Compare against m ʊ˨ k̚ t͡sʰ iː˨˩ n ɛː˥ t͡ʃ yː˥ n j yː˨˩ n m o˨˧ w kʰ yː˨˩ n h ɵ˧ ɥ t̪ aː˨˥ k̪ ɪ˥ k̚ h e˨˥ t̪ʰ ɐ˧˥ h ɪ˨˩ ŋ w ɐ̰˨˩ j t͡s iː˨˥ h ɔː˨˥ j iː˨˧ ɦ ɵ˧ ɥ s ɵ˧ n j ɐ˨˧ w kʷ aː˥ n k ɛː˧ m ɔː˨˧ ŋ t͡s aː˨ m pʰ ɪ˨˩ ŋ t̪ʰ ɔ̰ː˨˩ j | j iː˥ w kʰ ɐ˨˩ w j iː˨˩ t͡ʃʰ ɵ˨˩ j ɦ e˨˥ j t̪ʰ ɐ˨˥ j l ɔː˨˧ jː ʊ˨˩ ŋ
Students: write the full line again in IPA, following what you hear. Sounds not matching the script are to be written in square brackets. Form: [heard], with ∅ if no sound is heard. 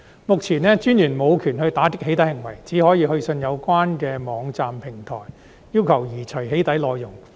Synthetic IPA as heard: m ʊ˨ k̚ t͡sʰ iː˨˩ n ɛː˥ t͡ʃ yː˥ n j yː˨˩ n m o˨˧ w kʰ yː˨˩ n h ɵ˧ ɥ t̪ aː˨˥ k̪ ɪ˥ k̚ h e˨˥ [t̪] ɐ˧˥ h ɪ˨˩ ŋ w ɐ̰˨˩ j t͡s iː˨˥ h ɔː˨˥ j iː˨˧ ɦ ɵ˧ ɥ s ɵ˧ n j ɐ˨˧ w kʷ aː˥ n k ɛː˧ m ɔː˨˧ ŋ t͡s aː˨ m pʰ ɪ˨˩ ŋ t̪ʰ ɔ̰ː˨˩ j | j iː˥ w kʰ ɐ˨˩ w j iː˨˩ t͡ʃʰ ɵ˨˩ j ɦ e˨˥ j [t̪] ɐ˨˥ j l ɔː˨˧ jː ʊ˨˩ ŋ